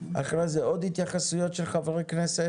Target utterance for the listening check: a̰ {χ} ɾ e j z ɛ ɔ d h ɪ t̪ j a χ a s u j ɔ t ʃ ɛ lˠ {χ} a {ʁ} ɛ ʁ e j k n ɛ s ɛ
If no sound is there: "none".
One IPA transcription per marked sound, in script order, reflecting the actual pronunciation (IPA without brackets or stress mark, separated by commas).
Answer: χ, χ, v